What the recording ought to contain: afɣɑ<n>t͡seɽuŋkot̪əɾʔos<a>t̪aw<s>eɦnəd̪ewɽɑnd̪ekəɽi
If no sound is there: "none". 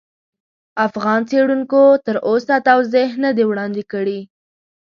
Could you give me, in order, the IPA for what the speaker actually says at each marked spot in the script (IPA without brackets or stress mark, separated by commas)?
n, a, z